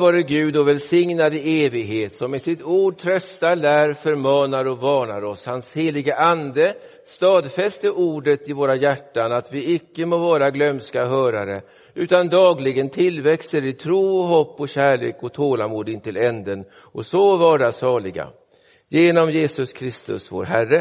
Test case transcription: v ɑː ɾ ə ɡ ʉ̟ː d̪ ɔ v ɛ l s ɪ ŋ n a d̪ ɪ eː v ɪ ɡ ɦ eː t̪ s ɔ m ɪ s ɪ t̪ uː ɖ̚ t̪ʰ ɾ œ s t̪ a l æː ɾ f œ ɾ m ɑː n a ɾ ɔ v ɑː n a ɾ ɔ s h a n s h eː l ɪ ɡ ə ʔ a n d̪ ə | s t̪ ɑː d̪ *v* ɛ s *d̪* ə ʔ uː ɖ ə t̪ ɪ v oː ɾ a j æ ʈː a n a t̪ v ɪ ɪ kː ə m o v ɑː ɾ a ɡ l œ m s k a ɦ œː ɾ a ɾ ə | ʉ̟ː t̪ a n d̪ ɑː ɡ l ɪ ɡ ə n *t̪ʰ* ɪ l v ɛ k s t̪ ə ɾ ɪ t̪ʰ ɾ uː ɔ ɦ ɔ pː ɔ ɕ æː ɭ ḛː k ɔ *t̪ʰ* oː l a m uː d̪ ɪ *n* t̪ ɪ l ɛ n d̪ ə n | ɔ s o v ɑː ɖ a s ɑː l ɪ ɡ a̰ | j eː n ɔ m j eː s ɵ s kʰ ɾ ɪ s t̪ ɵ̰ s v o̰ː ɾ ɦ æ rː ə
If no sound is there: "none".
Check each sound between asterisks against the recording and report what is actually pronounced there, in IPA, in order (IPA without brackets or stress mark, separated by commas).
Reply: f, t̪, t̪ʰ, t̪ʰ, n